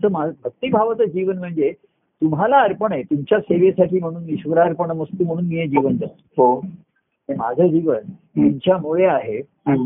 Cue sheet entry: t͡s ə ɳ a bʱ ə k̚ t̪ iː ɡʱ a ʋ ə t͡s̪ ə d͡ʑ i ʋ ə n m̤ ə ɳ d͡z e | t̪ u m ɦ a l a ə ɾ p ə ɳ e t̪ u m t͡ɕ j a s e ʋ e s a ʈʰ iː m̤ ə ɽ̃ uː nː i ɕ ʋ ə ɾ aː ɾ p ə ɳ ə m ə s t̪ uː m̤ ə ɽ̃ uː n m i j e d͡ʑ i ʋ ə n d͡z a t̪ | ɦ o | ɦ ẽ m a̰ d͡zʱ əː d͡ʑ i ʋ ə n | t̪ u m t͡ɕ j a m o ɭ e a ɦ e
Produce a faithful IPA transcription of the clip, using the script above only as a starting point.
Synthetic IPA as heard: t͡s ə m a bʱ ə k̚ t̪ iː bʱ a ʋ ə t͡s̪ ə d͡ʑ i ʋ ə n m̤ ə ɳ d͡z e | t̪ u m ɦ a l a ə ɾ p ə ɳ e t̪ u m t͡ɕ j a s e ʋ e s a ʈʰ iː m̤ ə ɽ̃ uː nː i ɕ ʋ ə ɾ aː ɾ p ə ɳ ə m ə s t̪ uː m̤ ə ɽ̃ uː n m i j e d͡ʑ i ʋ ə n d͡z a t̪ | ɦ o | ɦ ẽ m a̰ d͡zʱ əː d͡ʑ i ʋ ə n | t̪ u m t͡ɕ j a m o ɭ e a ɦ e